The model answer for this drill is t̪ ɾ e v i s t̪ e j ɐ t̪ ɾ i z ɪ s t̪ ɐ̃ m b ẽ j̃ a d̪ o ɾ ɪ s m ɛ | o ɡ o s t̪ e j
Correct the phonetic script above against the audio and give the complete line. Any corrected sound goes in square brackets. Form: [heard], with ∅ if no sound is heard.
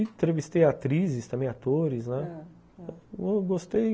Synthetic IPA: t̪ ɾ e v i s t̪ e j [a] t̪ ɾ i z ɪ s t̪ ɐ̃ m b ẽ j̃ a [t̪] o ɾ ɪ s [n] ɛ | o ɡ o s t̪ e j